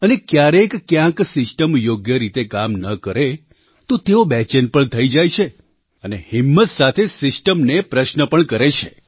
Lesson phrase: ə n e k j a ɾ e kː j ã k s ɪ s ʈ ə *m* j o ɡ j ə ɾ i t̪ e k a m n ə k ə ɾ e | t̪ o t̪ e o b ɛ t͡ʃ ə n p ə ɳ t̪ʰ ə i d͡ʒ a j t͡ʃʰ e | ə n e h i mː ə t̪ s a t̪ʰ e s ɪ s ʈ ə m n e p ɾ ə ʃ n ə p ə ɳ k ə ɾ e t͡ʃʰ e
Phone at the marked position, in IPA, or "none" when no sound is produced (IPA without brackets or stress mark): m